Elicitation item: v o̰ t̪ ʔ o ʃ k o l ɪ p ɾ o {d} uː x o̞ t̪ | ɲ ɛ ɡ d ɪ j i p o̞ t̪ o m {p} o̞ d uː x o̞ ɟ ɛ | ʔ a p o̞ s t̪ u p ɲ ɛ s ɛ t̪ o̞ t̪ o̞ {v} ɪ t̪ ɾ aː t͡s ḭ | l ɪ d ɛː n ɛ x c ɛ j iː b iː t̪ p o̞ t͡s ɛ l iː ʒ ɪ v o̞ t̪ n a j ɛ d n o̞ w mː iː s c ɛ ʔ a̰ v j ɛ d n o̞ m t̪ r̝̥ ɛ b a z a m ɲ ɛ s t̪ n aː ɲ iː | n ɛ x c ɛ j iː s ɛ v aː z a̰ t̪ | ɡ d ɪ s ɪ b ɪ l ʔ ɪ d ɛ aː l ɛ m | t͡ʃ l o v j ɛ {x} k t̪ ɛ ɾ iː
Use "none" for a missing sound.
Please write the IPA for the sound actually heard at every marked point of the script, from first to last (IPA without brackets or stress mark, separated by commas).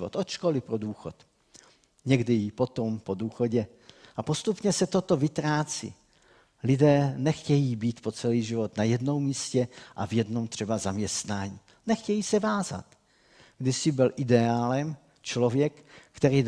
d, p, v, k